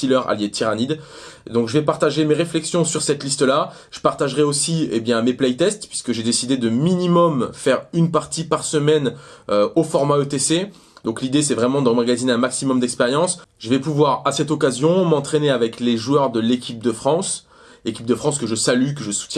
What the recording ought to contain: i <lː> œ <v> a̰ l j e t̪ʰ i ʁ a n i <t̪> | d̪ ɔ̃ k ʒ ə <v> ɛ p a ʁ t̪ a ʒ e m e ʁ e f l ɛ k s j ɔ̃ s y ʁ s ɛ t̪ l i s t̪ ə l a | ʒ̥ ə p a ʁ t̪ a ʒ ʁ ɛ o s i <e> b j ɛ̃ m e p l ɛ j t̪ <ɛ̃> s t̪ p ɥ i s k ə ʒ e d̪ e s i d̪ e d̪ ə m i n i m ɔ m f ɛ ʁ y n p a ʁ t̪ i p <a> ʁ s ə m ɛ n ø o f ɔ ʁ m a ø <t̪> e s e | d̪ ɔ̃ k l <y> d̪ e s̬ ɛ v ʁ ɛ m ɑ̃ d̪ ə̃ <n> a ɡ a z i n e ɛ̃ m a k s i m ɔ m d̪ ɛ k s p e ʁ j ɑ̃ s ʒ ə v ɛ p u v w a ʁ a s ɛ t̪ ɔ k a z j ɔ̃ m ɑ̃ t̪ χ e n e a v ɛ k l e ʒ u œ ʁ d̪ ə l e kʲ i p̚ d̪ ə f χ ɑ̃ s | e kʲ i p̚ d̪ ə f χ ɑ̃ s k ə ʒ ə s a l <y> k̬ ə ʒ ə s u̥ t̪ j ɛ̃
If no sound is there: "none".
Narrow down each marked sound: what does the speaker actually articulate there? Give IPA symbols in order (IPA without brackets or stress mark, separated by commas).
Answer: l, ʁ, d̪, v, e, ɛ, a, t̪, i, m, y